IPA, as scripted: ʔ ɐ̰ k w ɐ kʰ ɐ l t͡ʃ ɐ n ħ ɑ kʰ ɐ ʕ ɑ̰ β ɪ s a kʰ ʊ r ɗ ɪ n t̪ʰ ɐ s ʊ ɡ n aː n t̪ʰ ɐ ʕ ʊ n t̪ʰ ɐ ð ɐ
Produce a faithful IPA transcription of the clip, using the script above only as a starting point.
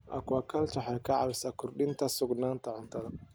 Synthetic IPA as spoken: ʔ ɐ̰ k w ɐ kʰ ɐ l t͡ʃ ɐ ħ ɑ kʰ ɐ ʕ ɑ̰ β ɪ s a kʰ ʊ r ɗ ɪ n t̪ʰ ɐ s ʊ ɡ n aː n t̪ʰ ɐ ʕ ʊ n t̪ʰ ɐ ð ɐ